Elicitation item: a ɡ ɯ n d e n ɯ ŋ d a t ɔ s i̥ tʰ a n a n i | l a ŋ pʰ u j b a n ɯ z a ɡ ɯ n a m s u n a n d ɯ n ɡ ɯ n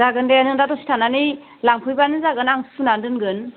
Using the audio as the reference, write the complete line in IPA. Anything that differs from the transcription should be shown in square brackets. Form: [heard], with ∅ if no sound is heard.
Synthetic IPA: a ɡ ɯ n d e n ɯ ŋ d a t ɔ s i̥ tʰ a n a n i | l a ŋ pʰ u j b a n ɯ z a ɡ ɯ n a [ŋ] s u n a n d ɯ n ɡ ɯ n